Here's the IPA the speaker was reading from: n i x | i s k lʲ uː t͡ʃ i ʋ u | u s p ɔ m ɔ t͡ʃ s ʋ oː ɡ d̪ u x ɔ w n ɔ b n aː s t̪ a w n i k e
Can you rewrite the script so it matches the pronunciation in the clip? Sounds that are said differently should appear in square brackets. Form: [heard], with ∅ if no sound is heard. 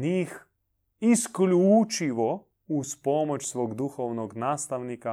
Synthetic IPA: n i x | i s k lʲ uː t͡ʃ i ʋ [ɔ] | u s p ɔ m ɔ t͡ʃ s ʋ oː ɡ d̪ u x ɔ w n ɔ [ɡ] n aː s t̪ a w n i k [a]